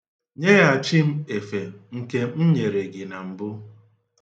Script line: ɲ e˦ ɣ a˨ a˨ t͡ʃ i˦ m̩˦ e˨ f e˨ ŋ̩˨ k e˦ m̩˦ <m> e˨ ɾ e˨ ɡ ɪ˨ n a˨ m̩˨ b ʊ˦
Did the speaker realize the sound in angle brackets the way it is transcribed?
no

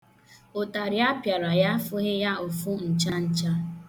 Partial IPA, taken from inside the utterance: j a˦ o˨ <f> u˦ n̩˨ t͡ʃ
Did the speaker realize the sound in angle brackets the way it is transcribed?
yes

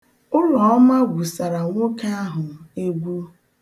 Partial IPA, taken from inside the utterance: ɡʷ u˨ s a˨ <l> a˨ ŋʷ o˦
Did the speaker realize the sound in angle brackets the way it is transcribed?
no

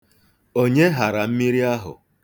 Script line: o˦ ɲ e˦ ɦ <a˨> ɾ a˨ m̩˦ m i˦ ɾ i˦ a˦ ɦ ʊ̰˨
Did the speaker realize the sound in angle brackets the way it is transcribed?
yes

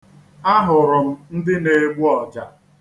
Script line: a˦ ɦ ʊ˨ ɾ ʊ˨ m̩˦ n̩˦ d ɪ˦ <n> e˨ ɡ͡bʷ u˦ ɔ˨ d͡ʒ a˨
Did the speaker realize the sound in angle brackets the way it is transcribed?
yes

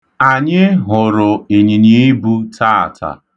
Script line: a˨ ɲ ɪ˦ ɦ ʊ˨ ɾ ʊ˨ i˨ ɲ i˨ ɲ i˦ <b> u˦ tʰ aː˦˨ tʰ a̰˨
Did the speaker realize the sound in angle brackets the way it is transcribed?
yes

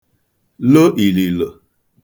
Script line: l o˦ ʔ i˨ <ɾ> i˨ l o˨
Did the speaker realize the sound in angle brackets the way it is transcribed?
no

